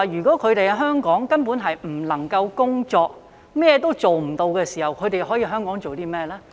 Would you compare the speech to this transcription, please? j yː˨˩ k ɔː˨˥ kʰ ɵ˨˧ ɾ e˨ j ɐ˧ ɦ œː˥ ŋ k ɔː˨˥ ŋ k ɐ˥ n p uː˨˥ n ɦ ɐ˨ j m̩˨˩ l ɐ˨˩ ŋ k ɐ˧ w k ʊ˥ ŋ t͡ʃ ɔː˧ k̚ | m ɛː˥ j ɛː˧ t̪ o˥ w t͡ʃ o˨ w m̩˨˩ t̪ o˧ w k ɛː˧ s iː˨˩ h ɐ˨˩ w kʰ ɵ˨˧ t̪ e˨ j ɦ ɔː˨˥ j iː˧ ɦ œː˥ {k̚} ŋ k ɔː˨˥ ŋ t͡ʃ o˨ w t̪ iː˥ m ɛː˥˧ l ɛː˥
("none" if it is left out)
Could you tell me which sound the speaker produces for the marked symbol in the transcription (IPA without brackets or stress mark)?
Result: none